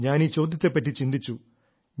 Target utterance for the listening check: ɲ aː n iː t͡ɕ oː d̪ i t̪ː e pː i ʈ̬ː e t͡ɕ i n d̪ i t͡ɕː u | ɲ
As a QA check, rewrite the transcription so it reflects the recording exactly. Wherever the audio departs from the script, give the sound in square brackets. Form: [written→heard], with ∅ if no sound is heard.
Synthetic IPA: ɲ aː n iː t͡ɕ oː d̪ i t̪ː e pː [i→e] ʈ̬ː [e→i] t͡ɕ i n d̪ i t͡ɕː u | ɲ

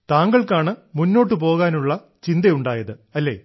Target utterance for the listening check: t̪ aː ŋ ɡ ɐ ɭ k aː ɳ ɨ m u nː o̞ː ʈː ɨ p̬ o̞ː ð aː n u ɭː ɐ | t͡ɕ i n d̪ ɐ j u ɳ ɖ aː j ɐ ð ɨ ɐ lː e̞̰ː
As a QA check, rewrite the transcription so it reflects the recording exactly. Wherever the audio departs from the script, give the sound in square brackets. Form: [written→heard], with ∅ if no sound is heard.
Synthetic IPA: t̪ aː ŋ ɡ ɐ ɭ k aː ɳ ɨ m u nː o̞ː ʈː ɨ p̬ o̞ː [ð→ɣ] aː n u ɭː ɐ | t͡ɕ i n d̪ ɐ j u ɳ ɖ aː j ɐ ð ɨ ɐ lː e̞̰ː

